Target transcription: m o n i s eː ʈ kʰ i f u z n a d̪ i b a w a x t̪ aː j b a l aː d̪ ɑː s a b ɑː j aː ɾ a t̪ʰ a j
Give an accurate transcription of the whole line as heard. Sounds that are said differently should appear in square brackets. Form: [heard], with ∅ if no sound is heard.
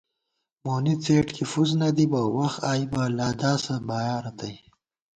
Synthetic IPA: m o n i [t͡s] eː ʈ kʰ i f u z n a d̪ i b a w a x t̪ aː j b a l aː d̪ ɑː s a b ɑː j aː ɾ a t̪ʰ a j